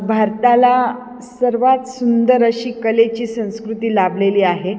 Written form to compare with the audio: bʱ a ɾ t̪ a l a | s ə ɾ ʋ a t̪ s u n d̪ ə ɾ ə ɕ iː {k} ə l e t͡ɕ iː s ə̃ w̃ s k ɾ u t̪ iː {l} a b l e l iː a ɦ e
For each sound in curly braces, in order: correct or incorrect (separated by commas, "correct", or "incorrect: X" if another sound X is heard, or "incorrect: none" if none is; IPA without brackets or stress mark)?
correct, correct